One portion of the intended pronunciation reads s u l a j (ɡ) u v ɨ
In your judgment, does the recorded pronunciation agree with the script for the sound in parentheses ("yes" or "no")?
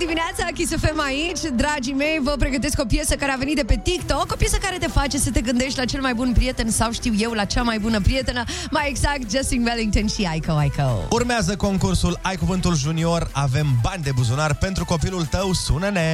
no